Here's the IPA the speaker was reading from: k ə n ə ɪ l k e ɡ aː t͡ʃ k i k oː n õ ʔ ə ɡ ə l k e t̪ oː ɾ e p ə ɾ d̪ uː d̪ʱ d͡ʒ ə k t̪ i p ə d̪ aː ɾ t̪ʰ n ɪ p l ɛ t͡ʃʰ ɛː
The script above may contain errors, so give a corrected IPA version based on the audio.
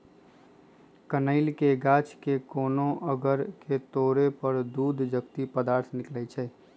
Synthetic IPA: k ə n ə ɪ l k e ɡ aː t͡ʃ k e k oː n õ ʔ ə ɡ ə ɾ k e t̪ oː ɾ e p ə ɾ d̪ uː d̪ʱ d͡ʒ ə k t̪ i p ə d̪ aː ɾ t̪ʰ n ɪ k l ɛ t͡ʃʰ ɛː